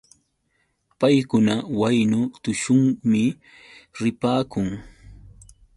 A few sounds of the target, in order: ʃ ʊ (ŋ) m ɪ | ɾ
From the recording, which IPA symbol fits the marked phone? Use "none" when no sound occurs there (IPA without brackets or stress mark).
ŋ